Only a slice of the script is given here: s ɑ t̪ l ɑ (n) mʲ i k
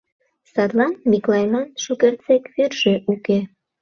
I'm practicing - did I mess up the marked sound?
no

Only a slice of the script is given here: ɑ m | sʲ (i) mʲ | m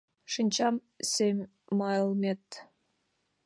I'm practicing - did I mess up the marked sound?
yes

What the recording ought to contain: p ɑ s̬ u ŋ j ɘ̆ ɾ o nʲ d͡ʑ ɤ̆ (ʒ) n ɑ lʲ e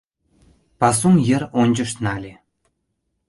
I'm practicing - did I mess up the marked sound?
yes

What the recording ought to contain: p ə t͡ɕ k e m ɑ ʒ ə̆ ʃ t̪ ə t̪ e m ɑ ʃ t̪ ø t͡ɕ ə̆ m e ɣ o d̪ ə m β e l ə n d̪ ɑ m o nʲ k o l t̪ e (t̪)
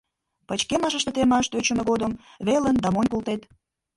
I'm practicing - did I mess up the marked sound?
no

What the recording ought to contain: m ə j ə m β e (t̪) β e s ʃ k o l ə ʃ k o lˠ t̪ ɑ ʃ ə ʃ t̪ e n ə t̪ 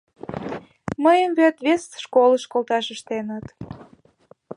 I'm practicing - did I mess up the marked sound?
no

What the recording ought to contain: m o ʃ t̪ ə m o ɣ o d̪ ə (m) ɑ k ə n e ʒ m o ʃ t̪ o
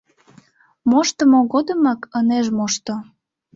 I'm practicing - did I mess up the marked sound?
no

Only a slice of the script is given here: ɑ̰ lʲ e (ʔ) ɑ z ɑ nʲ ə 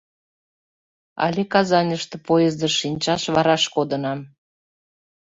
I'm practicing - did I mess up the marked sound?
yes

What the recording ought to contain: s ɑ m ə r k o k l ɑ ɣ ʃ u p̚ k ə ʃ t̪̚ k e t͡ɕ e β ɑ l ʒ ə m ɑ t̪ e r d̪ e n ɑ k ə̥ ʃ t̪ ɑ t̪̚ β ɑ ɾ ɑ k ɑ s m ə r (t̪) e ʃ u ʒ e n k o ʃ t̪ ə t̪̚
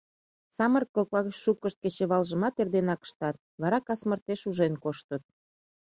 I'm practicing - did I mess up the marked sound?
no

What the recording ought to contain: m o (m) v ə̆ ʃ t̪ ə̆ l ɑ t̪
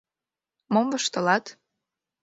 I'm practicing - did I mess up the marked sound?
no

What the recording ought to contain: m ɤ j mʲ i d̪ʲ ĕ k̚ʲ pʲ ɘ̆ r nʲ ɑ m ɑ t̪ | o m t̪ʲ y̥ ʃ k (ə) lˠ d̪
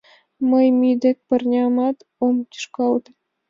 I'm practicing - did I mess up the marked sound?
yes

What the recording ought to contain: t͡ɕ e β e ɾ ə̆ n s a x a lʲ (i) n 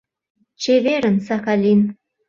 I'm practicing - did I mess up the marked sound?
no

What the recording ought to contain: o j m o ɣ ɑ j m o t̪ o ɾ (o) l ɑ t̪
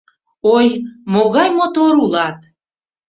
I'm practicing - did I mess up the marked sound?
yes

